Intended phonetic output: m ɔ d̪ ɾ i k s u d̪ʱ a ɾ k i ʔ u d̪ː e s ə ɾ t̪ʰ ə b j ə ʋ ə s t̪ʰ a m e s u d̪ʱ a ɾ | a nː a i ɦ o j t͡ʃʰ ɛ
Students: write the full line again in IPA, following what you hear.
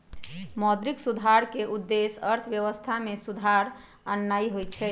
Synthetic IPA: m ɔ d̪ ɾ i k s u d̪ʱ a ɾ k e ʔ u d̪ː e s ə ɾ t̪ʰ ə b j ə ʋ ə s t̪ʰ a m e s u d̪ʱ a ɾ | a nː a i ɦ o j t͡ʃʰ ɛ